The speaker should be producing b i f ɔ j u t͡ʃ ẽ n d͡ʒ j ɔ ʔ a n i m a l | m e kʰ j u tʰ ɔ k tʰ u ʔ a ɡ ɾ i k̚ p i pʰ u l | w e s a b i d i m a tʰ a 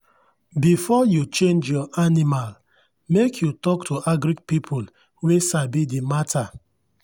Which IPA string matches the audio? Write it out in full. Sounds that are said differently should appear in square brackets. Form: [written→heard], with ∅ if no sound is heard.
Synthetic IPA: b i f ɔ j u t͡ʃ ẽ n d͡ʒ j ɔ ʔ a n i m a l | m e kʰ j u [tʰ→t] ɔ k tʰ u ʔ a ɡ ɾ i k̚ p i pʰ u l | w e s a b i d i m a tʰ a